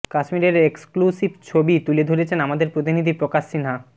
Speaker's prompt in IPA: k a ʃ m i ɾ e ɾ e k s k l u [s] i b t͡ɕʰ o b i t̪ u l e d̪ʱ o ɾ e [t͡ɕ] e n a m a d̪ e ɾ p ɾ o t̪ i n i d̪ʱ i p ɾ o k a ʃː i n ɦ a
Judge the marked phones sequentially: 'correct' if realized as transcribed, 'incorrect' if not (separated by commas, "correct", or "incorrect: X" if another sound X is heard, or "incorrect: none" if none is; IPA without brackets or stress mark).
correct, incorrect: t͡ɕʰ